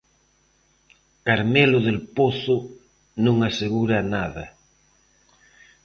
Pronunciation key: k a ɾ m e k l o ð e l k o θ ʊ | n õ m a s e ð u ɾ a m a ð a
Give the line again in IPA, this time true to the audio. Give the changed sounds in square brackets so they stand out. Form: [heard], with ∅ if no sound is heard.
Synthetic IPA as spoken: k a ɾ m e [∅] l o ð e l [p] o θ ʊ | n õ [ŋ] a s e [ɣ] u ɾ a [n] a ð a